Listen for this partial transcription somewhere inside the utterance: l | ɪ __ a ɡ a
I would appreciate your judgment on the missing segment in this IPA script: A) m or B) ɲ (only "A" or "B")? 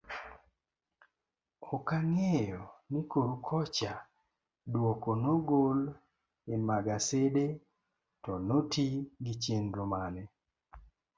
A